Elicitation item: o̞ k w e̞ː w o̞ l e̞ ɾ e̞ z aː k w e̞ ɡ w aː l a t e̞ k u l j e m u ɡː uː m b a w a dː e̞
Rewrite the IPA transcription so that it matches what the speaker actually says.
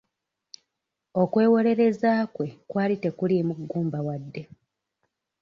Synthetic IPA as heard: o̞ k w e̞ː w o̞ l e̞ ɾ e̞ z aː k w e̞ k w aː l i t e̞ k u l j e m u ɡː uː m b a w a dː e̞